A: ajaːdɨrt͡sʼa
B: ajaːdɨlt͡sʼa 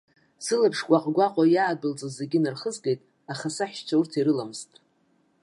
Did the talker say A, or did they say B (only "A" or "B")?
B